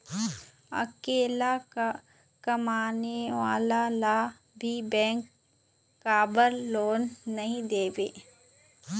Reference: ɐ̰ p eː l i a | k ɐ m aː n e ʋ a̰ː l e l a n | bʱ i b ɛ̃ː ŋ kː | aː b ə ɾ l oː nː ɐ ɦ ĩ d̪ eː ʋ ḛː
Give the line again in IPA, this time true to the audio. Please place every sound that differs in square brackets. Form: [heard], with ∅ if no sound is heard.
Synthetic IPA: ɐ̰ [k] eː l [a] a | k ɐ m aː n e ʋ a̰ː l [a] l a [∅] | bʱ i b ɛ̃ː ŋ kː | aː b ə ɾ l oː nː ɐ ɦ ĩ d̪ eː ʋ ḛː